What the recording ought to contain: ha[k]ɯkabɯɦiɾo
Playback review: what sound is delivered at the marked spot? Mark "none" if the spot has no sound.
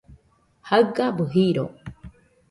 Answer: none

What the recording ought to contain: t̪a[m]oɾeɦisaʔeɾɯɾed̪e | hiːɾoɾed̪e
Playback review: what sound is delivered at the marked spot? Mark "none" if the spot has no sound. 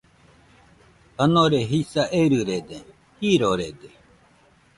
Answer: n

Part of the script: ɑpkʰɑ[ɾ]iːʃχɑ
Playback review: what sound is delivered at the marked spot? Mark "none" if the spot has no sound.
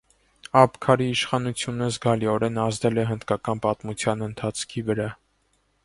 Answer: ɾ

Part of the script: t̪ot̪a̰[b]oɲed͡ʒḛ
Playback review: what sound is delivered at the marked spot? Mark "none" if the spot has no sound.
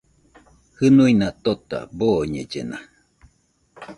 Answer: b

